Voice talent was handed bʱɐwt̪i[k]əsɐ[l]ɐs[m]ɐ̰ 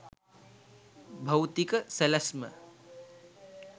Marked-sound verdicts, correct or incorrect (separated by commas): correct, correct, correct